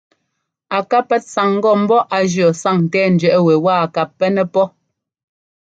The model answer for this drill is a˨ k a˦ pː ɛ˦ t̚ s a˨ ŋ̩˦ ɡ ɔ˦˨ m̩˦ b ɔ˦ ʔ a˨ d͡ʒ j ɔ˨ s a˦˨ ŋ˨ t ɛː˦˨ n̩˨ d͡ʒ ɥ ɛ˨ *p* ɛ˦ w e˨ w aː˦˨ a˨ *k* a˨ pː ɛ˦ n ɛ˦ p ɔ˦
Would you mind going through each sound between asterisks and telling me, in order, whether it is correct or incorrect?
incorrect: ʔ, correct

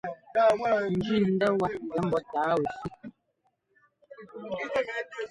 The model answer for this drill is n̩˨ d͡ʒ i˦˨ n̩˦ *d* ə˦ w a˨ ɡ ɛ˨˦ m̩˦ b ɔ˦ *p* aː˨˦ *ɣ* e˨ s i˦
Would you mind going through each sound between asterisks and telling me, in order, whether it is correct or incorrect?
correct, incorrect: t, incorrect: w

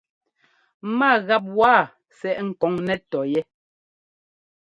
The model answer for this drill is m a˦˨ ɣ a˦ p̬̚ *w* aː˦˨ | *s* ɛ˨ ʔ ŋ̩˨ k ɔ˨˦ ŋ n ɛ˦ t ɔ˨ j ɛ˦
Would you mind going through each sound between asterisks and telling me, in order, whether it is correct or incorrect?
correct, correct

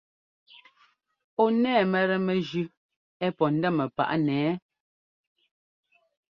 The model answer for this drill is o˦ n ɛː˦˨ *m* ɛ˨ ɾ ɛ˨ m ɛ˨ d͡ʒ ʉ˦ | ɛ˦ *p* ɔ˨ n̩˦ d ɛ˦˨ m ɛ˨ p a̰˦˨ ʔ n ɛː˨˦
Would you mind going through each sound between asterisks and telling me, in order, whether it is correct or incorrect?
correct, correct

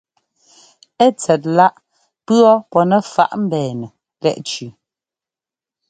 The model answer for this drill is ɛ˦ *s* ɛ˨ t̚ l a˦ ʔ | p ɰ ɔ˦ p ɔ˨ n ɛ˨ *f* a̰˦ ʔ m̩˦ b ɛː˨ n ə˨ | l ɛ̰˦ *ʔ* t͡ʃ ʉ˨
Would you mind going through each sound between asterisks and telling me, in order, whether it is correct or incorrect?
incorrect: t͡s, correct, correct

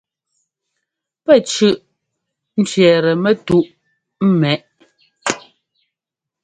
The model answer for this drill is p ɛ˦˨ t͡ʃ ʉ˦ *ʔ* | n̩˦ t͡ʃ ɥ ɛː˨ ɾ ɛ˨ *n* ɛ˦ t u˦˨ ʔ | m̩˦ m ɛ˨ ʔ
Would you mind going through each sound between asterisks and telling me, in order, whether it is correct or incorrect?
correct, incorrect: m

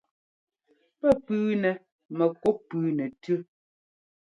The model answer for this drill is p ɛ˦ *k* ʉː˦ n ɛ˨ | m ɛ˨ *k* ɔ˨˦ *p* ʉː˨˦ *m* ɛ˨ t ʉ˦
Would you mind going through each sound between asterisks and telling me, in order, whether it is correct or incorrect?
incorrect: p, correct, correct, incorrect: n

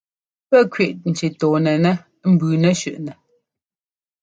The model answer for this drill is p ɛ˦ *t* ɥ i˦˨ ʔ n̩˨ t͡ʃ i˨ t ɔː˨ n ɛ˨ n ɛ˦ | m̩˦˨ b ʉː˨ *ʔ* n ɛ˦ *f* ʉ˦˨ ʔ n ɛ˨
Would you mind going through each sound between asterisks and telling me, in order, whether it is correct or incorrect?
incorrect: k, incorrect: none, incorrect: ʃ

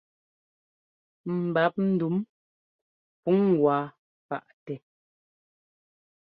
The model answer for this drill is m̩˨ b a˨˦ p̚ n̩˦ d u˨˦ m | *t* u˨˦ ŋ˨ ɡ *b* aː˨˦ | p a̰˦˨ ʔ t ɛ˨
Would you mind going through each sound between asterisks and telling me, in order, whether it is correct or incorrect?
incorrect: p, incorrect: w

